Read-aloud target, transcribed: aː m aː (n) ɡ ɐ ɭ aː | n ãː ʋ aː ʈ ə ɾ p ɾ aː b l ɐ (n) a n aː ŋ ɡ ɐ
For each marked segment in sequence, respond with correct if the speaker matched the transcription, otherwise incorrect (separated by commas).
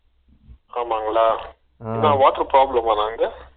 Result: incorrect, incorrect